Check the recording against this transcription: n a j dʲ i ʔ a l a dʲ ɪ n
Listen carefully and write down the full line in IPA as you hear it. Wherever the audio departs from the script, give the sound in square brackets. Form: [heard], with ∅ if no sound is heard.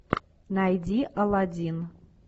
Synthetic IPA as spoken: n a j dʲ i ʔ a l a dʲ [i] n